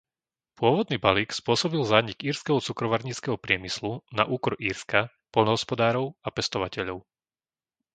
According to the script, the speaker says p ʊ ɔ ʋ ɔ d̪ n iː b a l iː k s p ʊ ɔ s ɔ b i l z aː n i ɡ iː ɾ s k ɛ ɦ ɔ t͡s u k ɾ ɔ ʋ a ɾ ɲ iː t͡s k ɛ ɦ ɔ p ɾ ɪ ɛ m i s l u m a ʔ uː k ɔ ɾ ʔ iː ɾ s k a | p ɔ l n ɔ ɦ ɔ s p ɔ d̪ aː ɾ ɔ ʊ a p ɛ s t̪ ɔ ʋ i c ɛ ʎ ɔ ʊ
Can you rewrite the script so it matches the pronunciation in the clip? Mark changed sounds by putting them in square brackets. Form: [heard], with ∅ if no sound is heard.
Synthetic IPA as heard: p ʊ ɔ ʋ ɔ d̪ n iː b a l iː k s p ʊ ɔ s ɔ b i l z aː [ɲ] i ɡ iː ɾ s k ɛ ɦ ɔ t͡s u k ɾ ɔ ʋ a ɾ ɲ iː t͡s k ɛ ɦ ɔ p ɾ ɪ ɛ m i s l u [n] a ʔ uː k ɔ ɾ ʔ iː ɾ s k a | p ɔ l n ɔ ɦ ɔ s p ɔ d̪ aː ɾ ɔ ʊ a p ɛ s t̪ ɔ ʋ [a] c ɛ ʎ ɔ ʊ